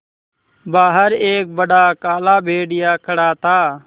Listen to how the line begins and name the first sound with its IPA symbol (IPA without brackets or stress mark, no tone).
b